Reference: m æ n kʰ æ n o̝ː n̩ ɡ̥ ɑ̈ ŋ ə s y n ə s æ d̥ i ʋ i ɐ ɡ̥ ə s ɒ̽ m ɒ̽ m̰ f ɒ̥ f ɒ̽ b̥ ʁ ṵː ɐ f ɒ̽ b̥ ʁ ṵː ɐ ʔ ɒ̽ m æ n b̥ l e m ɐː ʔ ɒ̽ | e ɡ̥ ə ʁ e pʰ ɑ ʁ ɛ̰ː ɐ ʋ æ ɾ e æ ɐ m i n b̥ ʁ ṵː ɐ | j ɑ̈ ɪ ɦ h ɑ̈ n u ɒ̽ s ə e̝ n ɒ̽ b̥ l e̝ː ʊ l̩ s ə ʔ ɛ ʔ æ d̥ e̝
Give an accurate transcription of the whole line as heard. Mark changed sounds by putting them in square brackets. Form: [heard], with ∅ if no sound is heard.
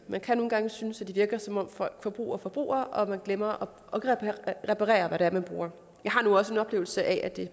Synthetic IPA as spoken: m æ n kʰ æ n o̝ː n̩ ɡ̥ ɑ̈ ŋ ə s y n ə s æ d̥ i ʋ i ɐ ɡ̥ [ɐ] s ɒ̽ m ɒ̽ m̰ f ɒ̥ f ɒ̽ b̥ ʁ ṵː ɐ f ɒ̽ b̥ ʁ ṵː ɐ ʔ ɒ̽ m æ n [ɡ̥] l e m [ɐ] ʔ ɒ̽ | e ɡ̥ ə ʁ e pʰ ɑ ʁ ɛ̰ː ɐ ʋ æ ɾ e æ ɐ m [æ] n b̥ ʁ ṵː ɐ | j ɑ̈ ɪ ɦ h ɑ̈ n u ɒ̽ s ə e̝ n ɒ̽ b̥ l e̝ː ʊ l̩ s ə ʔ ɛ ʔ æ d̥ e̝

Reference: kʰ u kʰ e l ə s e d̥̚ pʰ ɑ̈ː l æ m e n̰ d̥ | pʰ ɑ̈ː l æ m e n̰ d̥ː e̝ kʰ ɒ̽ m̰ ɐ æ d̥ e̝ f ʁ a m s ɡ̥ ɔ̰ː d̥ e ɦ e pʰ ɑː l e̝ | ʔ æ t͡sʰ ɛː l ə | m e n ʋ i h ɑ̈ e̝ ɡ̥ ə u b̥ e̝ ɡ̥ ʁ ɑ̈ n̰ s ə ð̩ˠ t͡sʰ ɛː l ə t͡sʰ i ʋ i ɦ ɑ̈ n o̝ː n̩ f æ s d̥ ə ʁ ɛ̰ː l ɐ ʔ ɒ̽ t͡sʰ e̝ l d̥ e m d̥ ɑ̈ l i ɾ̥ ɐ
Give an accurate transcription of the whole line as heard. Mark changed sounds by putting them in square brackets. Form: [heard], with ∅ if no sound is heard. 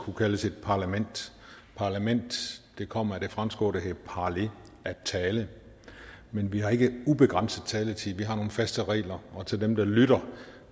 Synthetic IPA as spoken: kʰ u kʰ [æ] l ə s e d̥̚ pʰ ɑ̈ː l æ m e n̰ d̥ | pʰ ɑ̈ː l æ m e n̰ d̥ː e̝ kʰ ɒ̽ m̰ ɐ æ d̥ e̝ f ʁ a m s ɡ̥ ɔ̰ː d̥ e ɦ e pʰ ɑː l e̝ | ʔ æ t͡sʰ ɛː l ə | m e n ʋ i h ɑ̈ e̝ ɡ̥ ə u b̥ e̝ ɡ̥ ʁ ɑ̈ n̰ s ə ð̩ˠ t͡sʰ ɛː l ə t͡sʰ i ʋ i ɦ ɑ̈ n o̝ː n̩ f æ s d̥ ə ʁ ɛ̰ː l ɐ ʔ ɒ̽ t͡sʰ e̝ l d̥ e m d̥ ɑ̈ l [y] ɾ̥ ɐ

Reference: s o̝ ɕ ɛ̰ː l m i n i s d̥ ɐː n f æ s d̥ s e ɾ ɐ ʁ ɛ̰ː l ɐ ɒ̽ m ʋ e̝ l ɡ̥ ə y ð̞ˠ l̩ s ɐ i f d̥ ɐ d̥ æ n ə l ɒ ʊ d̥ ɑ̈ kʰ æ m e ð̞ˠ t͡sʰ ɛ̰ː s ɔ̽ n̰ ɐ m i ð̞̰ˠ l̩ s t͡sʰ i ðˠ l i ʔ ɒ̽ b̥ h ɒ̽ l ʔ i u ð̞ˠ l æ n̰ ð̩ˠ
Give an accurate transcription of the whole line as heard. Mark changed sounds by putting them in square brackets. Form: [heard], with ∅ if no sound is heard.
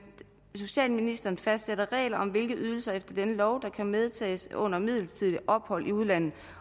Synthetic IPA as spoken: s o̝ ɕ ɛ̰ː l m i n i s d̥ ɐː n f æ s d̥ s e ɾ ɐ ʁ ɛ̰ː l ɐ ɒ̽ m ʋ e̝ l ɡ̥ ə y ð̞ˠ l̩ s ɐ [e] f d̥ ɐ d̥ [e] n ə l ɒ ʊ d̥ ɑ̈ kʰ æ m e ð̞ˠ t͡sʰ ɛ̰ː s ɔ̽ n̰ ɐ m i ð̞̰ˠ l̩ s t͡sʰ i ðˠ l i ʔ ɒ̽ b̥ h ɒ̽ l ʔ i u ð̞ˠ l æ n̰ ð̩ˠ

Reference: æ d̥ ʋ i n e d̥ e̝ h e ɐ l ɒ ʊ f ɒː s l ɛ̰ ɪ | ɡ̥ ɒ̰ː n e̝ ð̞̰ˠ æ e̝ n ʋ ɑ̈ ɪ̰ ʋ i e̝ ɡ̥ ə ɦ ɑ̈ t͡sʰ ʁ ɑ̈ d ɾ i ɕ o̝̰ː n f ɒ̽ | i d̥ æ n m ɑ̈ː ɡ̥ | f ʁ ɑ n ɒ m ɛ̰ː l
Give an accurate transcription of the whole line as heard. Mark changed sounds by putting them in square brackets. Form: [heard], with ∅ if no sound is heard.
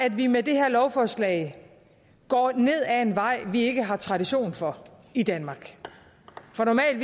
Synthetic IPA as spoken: æ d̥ ʋ i [m] e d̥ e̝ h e ɐ l ɒ ʊ f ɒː s l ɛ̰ ɪ | ɡ̥ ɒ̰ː n e̝ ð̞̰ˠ æ e̝ n ʋ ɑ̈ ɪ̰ ʋ i e̝ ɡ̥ ə ɦ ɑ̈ t͡sʰ ʁ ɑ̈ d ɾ i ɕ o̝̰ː n f ɒ̽ | i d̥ æ n m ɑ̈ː ɡ̥ | f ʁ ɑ n ɒ m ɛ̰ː l

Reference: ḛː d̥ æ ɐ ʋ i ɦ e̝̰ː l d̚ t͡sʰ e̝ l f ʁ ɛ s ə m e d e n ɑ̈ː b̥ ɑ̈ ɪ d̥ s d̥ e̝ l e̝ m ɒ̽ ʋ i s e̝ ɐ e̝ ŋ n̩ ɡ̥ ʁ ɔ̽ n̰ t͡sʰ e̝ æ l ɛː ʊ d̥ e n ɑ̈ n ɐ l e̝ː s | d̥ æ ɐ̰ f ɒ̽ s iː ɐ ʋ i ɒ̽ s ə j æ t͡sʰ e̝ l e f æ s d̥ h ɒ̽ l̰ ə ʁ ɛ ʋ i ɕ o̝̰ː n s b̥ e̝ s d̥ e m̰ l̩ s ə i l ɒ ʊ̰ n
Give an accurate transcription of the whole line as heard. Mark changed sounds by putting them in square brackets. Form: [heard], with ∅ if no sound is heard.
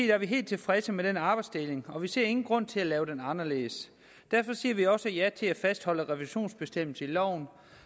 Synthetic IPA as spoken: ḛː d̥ æ ɐ ʋ i ɦ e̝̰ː l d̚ t͡sʰ e̝ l f ʁ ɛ s ə m e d e n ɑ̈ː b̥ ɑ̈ ɪ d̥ s d̥ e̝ l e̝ [ŋ] ɒ̽ ʋ i s e̝ ɐ e̝ ŋ n̩ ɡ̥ ʁ ɔ̽ n̰ t͡sʰ e̝ æ l ɛː ʊ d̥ e n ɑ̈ n ɐ l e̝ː s | d̥ æ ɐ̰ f ɒ̽ s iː ɐ ʋ i ɒ̽ s ə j æ t͡sʰ e̝ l [æ] f æ s d̥ h ɒ̽ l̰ ə ʁ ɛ ʋ i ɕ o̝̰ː n s b̥ e̝ s d̥ e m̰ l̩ s ə i l ɒ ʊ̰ n

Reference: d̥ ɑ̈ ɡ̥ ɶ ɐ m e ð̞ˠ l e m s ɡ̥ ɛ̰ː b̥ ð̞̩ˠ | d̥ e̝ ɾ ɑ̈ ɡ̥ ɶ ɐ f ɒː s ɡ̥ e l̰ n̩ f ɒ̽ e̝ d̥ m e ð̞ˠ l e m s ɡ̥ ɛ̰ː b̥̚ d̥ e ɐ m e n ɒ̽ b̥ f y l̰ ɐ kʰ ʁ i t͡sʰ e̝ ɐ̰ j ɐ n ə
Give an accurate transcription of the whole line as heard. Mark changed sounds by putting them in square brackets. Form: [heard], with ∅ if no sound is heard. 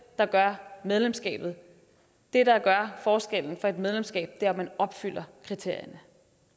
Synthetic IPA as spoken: d̥ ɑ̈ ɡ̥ ɶ ɐ m e ð̞ˠ l e m s ɡ̥ ɛ̰ː b̥ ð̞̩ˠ | d̥ e̝ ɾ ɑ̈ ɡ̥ ɶ ɐ f ɒː s ɡ̥ e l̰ n̩ f ɒ̽ e̝ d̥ m e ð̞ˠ l e m s ɡ̥ ɛ̰ː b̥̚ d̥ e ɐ m [æ] n ɒ̽ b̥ f y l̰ ɐ kʰ ʁ i t͡sʰ e̝ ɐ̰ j ɐ n ə

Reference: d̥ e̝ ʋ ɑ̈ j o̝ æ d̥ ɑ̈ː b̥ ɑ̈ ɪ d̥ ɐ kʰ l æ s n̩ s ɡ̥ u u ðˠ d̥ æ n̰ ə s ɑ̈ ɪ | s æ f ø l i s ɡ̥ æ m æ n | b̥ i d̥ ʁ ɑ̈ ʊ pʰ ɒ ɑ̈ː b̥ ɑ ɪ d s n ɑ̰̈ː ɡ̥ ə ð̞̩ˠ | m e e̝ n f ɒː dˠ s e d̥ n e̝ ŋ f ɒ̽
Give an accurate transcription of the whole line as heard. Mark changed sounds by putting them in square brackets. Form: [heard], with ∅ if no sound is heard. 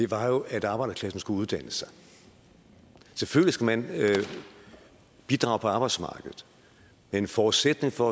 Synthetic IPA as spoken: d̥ e̝ ʋ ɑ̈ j o̝ æ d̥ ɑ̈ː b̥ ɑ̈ ɪ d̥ ɐ kʰ l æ s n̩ s ɡ̥ u u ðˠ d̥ æ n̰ ə s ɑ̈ ɪ | s [e] f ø l i s ɡ̥ æ m æ n | b̥ i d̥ ʁ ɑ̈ ʊ pʰ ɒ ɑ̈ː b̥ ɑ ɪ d s [m] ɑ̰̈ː ɡ̥ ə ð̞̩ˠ | m e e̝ n f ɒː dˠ s e d̥ n e̝ ŋ f ɒ̽

